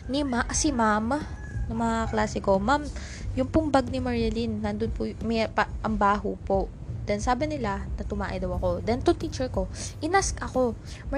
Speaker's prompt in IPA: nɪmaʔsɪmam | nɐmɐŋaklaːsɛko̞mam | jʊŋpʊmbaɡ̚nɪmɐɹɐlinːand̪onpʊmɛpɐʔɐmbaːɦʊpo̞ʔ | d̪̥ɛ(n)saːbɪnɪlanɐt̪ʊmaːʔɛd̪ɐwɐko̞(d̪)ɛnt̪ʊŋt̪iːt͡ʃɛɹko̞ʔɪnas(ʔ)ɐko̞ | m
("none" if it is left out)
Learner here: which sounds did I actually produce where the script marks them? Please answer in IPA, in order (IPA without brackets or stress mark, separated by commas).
n, d̪, k